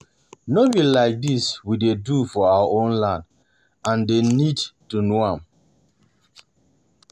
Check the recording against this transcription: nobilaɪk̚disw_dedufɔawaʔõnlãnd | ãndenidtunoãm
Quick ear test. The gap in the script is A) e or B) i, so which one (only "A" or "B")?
B